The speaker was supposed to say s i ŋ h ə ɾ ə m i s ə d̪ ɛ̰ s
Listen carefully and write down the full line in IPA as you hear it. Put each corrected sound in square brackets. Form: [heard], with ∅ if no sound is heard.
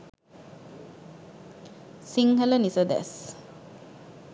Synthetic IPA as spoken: s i ŋ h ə [l] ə [n] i s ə d̪ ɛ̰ s